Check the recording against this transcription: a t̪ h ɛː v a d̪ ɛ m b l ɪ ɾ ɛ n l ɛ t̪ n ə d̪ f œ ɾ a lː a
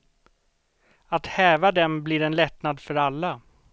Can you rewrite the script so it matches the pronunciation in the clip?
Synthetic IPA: a t̪ h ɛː v a d̪ ɛ m b l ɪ ɾ ɛ n l ɛ t̪ n a d̪ f œ ɾ a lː a